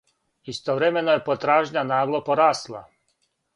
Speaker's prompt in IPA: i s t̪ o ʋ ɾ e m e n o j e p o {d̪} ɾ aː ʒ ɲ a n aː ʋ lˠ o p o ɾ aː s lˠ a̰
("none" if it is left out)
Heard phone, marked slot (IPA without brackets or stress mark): t̪